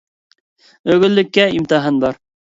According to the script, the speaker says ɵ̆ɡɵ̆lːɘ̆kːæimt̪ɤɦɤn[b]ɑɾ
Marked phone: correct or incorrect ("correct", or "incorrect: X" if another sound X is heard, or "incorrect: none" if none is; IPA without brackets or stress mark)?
correct